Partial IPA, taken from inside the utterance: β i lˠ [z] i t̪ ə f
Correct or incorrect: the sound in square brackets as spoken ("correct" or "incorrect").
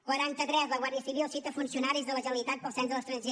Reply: incorrect